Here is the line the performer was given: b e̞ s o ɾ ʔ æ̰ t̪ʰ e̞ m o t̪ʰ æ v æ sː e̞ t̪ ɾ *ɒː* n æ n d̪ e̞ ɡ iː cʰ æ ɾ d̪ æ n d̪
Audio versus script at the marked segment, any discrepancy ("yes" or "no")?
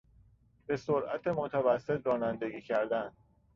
no